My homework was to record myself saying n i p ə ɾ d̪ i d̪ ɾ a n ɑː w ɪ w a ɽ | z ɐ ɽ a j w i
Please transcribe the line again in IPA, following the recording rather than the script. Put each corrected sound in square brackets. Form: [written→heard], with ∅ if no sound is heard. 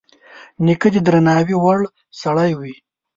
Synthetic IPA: n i [p→k] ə [ɾ→∅] d̪ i d̪ ɾ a n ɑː w [ɪ→i] w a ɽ | [z→s] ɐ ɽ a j w i